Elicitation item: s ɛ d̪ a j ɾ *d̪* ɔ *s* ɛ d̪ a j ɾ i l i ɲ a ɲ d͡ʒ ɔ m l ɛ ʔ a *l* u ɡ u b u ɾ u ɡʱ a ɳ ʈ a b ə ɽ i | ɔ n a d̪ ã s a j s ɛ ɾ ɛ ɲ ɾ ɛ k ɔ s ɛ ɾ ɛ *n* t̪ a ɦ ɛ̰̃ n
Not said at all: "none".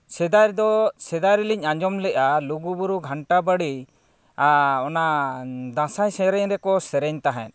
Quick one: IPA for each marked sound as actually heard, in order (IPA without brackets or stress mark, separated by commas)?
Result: d̪, s, l, ɲ